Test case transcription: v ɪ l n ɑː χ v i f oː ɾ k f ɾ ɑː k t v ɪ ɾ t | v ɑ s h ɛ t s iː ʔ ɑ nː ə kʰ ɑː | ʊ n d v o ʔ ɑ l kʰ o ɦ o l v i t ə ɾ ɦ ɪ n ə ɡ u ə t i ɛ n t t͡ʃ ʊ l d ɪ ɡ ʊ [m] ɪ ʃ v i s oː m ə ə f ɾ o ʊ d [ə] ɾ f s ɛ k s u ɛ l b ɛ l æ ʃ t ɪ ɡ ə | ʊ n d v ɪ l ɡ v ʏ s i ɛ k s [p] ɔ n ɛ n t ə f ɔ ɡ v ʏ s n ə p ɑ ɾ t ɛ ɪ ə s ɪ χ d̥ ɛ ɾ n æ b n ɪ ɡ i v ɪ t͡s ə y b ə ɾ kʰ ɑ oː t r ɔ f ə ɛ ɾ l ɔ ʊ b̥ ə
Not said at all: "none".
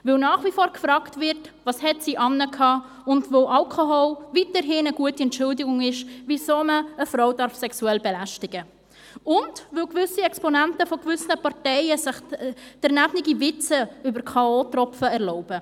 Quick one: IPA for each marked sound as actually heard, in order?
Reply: ŋ, ɑ, p

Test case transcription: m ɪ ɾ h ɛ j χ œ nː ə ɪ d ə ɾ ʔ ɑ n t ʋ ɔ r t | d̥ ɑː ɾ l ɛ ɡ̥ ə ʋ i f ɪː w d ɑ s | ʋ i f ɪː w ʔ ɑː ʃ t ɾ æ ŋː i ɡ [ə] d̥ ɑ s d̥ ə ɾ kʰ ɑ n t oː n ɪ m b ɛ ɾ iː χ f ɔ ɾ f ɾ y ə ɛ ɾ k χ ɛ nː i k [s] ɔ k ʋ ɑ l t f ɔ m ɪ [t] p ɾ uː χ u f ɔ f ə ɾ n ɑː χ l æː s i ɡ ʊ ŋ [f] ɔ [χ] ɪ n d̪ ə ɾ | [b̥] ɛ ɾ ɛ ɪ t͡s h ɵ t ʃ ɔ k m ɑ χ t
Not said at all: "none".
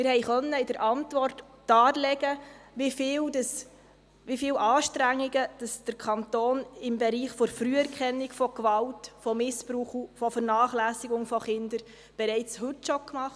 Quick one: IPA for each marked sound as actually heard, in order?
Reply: ə, f, s, f, χ, b̥

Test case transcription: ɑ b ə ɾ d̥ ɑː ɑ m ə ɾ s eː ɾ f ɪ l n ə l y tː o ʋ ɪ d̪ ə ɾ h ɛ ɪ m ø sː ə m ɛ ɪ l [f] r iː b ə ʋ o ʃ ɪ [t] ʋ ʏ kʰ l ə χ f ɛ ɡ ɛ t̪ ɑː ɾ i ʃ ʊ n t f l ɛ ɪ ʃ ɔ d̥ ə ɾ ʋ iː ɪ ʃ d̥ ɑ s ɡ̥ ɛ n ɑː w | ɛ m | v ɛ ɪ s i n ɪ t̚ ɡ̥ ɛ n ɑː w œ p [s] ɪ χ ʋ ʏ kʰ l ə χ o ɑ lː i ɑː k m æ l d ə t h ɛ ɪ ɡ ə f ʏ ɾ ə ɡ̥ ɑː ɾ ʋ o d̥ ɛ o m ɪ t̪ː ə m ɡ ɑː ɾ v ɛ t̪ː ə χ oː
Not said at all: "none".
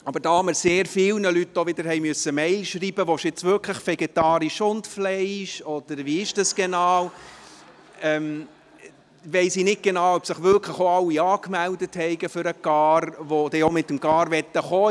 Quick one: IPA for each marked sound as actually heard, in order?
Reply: ʃ, t͡s, s

